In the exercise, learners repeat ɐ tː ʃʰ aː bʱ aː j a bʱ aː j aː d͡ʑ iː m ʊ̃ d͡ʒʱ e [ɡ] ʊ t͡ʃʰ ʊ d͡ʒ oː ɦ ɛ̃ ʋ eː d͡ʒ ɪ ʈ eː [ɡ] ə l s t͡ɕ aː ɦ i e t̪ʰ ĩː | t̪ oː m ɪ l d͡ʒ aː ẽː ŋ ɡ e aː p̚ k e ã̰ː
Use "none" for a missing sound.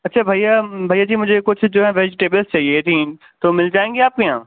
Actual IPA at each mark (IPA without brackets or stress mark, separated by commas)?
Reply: k, b